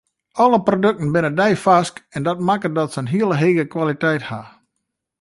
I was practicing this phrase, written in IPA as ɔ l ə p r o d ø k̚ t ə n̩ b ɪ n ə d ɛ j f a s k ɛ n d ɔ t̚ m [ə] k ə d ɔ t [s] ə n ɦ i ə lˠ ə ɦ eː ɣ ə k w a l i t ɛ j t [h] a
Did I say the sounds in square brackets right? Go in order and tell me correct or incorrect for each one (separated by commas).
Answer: incorrect, correct, correct